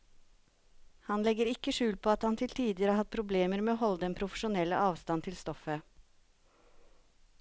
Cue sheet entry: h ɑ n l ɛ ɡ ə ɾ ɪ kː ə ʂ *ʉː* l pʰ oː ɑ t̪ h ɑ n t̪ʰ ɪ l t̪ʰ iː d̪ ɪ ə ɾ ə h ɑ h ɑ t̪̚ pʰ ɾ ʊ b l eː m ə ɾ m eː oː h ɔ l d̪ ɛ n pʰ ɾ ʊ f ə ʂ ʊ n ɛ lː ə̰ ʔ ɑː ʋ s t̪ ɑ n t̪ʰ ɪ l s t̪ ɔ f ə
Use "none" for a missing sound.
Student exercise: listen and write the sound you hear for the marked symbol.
ʉː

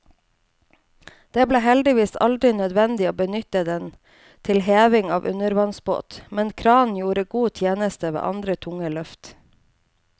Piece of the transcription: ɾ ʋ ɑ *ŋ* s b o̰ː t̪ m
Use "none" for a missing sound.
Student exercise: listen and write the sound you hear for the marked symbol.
n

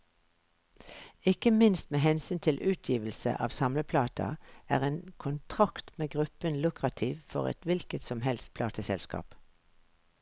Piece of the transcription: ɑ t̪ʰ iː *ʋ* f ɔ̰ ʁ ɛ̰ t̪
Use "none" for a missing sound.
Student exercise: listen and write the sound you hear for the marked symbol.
ʋ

